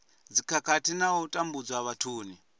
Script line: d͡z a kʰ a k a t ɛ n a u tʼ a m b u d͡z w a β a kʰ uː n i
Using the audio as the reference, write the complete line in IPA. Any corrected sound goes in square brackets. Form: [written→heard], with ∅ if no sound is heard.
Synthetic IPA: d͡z [a→i] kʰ a k a t [ɛ→i] n a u tʼ a m b u d͡z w a β a [kʰ→tʰ] uː n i

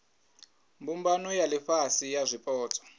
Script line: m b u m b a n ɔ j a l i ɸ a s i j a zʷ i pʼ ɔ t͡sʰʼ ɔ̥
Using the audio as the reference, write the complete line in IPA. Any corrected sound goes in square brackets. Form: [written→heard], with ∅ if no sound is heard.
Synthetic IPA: m b u m b a n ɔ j a l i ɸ a s i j a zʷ i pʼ [ɔ→ɔː] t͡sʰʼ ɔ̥

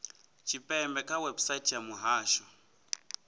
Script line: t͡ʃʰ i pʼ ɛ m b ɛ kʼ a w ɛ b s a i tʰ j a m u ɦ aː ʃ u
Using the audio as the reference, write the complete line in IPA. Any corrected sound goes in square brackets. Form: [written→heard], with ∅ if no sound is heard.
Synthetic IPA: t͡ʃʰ i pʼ ɛ m b ɛ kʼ a w ɛ b s a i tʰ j a m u ɦ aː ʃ [u→ɔ]

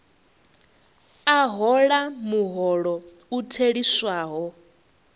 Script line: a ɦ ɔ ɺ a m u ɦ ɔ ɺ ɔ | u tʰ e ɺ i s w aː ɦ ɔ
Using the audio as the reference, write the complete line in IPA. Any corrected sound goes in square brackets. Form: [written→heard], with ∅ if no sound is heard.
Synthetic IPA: a ɦ ɔ ɺ a m u ɦ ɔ ɺ ɔ | u tʰ e ɺ i s w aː ɦ ɔ

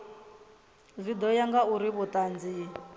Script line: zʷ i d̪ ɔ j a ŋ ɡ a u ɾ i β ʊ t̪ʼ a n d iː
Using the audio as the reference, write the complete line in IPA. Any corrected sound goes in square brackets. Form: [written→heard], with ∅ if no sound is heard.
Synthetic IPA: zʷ i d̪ ɔ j a ŋ ɡ a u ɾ i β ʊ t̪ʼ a n [d→d͡z] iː

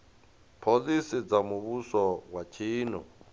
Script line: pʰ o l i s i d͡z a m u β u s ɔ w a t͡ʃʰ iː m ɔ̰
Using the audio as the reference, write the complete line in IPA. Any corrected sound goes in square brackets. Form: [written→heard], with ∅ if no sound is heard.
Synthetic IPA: pʰ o l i s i d͡z a m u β u s ɔ w a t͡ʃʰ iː [m→n] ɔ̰

